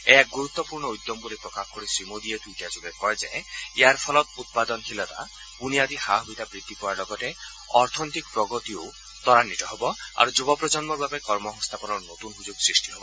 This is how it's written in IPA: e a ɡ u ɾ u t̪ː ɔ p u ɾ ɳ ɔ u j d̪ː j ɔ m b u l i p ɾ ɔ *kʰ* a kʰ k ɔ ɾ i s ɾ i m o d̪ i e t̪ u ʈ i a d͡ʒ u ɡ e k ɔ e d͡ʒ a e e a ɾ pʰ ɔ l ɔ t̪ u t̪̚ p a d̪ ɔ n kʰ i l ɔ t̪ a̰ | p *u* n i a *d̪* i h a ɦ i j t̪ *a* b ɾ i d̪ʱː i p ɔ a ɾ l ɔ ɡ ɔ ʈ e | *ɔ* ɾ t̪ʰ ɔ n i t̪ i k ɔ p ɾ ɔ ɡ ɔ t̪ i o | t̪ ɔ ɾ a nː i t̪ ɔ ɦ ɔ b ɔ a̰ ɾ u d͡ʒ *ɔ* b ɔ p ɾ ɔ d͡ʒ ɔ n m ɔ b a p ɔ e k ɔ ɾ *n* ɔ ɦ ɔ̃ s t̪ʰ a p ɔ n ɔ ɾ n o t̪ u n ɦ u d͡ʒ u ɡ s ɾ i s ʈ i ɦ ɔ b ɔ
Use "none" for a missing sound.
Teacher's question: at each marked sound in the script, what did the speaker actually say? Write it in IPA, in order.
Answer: k, u, d̪, a, ɔ, u, m

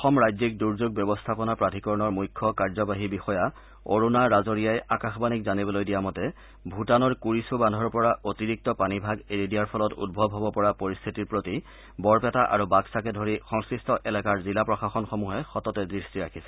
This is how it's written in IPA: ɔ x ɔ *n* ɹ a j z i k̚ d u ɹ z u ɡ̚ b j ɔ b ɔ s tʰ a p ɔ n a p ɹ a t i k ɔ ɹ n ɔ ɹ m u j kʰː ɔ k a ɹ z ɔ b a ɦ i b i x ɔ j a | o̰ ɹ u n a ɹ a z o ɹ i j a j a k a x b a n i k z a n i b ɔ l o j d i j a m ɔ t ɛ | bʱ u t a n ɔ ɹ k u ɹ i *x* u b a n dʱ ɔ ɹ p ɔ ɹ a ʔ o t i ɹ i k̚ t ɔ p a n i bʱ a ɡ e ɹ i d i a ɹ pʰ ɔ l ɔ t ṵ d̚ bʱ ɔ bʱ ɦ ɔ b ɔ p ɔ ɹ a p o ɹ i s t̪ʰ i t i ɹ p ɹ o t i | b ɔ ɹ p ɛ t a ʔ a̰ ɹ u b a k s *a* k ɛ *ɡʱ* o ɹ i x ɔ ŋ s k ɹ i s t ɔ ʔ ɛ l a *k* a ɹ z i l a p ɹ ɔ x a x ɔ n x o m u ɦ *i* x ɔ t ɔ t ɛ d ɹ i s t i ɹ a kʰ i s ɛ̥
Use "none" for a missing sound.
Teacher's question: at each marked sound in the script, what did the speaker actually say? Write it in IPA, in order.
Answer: m, s, a, dʱ, k, ɛ

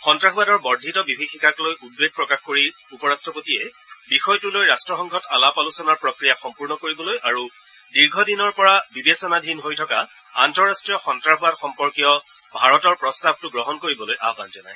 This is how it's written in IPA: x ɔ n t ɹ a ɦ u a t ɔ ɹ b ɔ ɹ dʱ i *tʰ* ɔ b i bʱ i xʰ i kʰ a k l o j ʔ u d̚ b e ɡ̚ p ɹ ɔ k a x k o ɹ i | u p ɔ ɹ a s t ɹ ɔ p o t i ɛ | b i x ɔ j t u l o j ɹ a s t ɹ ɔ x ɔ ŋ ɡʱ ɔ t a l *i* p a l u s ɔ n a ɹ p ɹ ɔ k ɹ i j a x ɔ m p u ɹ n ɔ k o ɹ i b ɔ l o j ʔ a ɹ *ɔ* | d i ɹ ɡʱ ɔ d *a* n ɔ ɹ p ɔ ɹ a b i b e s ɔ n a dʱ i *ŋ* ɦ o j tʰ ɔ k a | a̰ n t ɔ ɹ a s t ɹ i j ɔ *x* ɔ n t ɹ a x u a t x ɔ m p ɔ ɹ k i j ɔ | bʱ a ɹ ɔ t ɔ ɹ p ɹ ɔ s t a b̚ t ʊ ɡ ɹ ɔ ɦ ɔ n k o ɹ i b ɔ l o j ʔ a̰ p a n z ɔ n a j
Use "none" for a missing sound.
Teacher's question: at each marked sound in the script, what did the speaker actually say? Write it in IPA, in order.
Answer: t, a, u, i, n, x

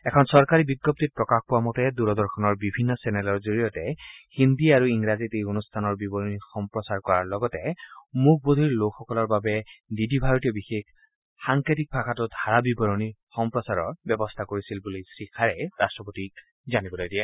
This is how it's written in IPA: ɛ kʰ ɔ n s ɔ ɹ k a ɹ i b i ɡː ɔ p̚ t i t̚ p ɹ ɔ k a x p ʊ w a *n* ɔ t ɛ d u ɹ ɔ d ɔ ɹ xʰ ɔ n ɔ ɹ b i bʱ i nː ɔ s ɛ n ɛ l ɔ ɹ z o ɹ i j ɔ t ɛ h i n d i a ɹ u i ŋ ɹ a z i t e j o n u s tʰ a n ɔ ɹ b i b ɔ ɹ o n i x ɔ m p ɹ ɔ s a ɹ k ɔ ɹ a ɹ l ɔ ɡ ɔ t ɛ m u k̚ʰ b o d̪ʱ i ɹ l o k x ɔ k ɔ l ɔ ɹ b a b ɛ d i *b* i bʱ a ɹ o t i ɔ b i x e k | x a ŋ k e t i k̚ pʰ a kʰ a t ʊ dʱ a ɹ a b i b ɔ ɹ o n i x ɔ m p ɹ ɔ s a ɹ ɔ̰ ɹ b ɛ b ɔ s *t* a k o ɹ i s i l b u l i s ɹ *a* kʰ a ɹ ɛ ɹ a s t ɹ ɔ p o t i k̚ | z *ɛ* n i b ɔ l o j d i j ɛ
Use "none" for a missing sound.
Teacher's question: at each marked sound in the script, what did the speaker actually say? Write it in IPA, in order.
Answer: m, d, tʰ, i, a

